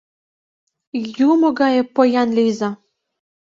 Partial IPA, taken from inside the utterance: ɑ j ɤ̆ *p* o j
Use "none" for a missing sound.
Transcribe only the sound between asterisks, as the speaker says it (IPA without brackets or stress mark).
p